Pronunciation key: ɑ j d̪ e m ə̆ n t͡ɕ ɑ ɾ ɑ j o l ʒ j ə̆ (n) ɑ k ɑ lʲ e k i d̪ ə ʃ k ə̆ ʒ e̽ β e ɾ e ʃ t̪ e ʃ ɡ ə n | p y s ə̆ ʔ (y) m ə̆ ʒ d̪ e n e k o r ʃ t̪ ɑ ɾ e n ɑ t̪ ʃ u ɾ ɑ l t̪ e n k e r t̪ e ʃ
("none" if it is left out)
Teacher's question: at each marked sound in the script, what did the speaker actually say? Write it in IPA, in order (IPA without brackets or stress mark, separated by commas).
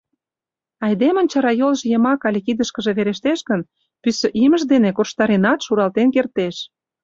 m, i